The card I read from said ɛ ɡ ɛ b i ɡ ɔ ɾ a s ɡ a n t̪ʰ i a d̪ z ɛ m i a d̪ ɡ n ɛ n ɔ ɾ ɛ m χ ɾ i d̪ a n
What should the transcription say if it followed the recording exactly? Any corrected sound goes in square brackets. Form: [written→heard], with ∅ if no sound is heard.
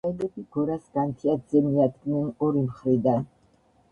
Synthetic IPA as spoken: ɛ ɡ ɛ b i ɡ ɔ ɾ a s ɡ a n t̪ʰ i a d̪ z ɛ m i a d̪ ɡ n ɛ n ɔ ɾ [ɛ→i] m χ ɾ i d̪ a n